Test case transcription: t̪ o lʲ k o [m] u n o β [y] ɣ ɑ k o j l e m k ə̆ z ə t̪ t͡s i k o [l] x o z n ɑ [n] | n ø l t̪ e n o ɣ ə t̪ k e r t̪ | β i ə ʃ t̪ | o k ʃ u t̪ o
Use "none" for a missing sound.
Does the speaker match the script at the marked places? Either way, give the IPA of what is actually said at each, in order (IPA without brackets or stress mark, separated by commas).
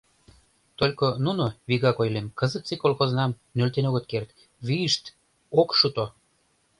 n, i, l, m